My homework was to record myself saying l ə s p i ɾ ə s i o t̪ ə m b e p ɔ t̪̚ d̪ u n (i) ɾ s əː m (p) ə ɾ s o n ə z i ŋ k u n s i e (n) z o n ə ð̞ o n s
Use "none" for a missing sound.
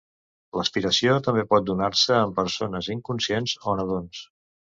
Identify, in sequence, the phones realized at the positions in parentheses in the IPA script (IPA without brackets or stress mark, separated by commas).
a, p, n